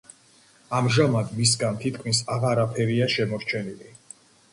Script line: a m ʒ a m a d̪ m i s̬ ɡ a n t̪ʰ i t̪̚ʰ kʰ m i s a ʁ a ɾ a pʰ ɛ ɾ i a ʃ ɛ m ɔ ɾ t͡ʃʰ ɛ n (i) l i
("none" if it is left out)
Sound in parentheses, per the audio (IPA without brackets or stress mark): i